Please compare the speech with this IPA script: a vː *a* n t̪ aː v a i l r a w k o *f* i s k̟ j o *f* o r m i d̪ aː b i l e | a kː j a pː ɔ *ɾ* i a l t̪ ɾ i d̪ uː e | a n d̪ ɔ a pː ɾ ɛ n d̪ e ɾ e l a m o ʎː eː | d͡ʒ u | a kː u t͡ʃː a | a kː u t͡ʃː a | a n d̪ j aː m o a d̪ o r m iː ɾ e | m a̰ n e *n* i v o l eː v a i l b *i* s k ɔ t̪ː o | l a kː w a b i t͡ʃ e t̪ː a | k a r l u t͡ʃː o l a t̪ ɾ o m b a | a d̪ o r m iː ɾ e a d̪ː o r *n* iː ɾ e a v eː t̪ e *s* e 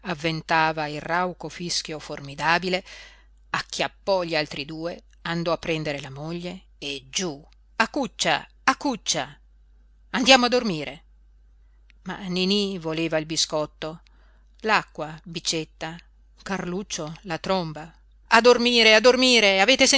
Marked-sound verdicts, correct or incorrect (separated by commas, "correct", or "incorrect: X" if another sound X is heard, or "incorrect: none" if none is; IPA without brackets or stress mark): incorrect: e, correct, correct, incorrect: ʎ, correct, correct, incorrect: m, correct